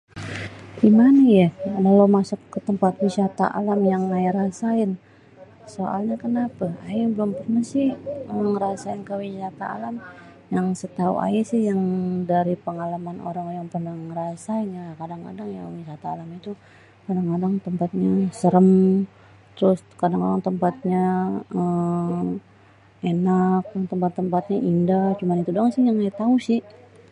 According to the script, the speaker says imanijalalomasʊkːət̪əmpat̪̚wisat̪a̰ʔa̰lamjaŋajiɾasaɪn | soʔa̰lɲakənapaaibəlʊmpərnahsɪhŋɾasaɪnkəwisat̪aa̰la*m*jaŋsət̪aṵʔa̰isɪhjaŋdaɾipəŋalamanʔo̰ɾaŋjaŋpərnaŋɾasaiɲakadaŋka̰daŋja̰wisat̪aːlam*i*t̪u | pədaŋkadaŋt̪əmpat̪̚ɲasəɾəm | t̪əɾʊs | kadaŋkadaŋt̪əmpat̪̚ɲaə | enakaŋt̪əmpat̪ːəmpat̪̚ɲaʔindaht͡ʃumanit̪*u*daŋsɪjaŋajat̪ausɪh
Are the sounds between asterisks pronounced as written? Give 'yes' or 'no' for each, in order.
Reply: yes, yes, yes

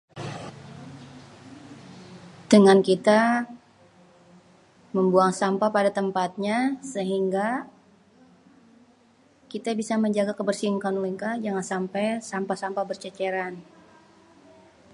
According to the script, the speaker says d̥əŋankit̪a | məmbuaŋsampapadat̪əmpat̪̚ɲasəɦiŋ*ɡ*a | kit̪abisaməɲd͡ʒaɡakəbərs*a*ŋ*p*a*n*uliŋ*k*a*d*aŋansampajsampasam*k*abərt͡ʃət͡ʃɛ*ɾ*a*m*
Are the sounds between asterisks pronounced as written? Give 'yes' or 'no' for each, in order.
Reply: yes, no, no, yes, yes, no, no, yes, no

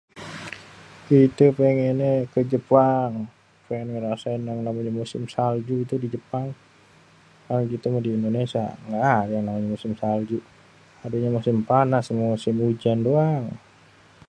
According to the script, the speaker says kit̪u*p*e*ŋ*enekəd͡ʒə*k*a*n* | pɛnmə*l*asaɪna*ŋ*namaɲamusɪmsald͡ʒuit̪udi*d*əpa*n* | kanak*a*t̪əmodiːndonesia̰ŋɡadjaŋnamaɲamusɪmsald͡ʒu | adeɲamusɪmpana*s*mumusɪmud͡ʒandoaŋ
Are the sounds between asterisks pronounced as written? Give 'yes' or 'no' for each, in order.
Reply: yes, yes, no, no, no, yes, no, no, no, yes

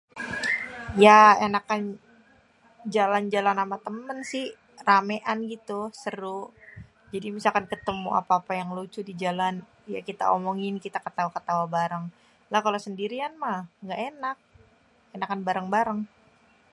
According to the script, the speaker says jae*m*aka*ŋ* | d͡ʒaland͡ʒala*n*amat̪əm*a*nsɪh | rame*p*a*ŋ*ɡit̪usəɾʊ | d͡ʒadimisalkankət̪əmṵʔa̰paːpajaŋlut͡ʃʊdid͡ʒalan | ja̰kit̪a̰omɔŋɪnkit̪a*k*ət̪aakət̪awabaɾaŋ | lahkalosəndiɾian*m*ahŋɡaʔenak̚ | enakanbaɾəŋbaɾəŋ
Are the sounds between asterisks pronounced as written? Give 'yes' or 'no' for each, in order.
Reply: no, no, yes, no, no, no, yes, yes

